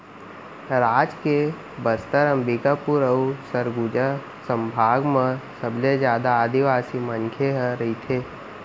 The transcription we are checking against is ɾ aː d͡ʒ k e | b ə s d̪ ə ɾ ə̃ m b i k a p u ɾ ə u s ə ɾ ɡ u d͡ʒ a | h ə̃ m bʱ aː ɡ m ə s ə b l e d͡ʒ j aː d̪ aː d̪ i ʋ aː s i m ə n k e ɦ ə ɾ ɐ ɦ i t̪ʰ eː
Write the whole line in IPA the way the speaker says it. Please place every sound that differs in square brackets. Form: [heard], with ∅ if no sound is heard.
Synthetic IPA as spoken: ɾ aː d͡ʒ k e | b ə s [t̪] ə ɾ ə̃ m b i k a p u ɾ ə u s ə ɾ ɡ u d͡ʒ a | [s] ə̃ m bʱ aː ɡ m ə s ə b l e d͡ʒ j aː d̪ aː d̪ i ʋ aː s i m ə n [kʰ] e ɦ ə ɾ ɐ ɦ i t̪ʰ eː